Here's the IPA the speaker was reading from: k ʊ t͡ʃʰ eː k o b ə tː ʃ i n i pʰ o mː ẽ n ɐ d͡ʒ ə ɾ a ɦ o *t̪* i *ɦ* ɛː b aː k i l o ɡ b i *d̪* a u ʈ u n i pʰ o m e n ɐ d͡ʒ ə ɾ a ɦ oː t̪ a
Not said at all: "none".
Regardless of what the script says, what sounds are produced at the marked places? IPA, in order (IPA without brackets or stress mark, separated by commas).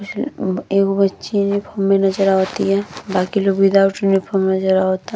t̪, ɦ, d̪